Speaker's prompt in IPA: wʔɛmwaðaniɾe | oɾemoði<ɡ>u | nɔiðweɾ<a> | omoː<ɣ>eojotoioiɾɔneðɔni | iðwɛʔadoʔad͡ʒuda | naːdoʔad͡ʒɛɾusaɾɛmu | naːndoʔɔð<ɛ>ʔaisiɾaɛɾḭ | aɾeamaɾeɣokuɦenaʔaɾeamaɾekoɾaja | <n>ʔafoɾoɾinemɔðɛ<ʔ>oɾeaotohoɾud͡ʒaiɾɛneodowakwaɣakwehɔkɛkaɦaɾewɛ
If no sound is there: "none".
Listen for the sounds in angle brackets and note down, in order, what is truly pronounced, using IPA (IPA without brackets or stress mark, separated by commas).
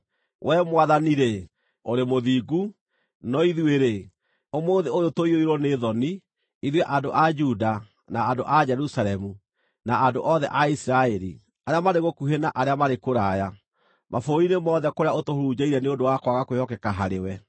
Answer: ɡ, e, ð, ɛ, m, k